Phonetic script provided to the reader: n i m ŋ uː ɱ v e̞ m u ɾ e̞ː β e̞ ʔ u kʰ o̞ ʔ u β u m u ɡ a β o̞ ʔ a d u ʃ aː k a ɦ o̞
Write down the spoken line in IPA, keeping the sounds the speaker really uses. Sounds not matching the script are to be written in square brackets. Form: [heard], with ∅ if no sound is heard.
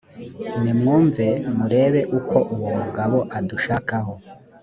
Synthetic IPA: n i m ŋ uː ɱ v e̞ m u ɾ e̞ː β e̞ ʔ u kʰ o̞ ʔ u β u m u ɡ a β o̞ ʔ a d u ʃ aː k a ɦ o̞